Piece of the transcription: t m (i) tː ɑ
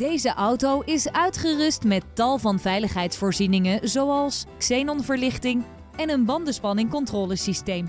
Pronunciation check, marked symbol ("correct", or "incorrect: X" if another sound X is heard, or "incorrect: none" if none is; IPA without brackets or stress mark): incorrect: ɛ